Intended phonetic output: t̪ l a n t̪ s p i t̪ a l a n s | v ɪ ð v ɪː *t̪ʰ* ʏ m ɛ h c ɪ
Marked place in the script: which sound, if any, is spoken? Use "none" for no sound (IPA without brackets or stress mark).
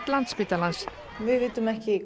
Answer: t̪